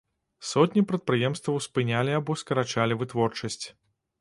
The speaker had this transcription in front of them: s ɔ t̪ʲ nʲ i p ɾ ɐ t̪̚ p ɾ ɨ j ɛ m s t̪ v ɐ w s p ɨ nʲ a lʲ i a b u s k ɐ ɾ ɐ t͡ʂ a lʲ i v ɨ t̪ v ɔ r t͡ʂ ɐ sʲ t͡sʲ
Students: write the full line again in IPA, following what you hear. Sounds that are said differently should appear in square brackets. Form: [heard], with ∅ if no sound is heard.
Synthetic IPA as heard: s ɔ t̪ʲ nʲ i p ɾ ɐ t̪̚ p ɾ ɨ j ɛ m s t̪ v ɐ w s p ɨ nʲ a lʲ i a b [ɔ] s k ɐ ɾ [a] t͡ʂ a lʲ i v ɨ t̪ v ɔ r t͡ʂ ɐ sʲ t͡sʲ